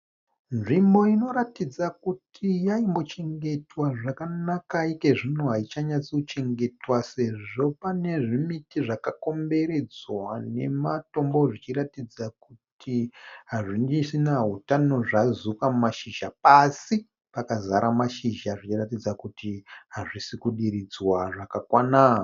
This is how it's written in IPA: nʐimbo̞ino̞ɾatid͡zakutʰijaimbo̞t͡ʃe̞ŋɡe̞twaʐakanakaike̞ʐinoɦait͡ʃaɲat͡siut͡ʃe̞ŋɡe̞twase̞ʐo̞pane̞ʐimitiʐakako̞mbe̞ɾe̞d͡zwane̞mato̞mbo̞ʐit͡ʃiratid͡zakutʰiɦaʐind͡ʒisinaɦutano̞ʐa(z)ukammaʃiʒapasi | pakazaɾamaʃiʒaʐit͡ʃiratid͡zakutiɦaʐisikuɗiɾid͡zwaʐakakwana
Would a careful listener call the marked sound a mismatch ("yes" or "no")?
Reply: no